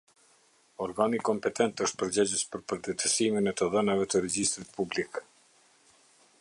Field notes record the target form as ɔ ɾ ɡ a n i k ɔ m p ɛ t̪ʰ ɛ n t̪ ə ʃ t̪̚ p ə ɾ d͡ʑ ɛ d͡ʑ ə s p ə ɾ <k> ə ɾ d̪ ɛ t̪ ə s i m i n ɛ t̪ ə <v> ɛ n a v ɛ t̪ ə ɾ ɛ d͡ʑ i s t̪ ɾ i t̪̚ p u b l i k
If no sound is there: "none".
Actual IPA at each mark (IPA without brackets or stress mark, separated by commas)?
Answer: p, ð